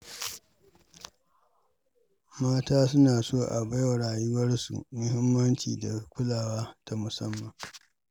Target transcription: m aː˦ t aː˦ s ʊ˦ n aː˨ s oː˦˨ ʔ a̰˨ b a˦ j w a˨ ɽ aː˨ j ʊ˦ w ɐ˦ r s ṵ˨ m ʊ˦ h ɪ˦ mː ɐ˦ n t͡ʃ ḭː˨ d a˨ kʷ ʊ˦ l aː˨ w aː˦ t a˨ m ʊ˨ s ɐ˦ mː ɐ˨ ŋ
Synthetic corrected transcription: m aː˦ t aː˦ s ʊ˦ n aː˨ s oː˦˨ ʔ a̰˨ b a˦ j w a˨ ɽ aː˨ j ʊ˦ w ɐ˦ r s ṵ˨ m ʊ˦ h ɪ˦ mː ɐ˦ n t͡ʃ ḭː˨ d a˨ kʷ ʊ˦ l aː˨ w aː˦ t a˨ m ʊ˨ s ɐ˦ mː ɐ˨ ŋ